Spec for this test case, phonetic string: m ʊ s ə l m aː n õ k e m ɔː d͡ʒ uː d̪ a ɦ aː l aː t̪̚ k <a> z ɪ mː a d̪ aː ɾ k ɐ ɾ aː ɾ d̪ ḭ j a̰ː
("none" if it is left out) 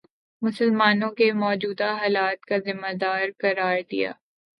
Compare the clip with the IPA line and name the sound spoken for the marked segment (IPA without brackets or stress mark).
a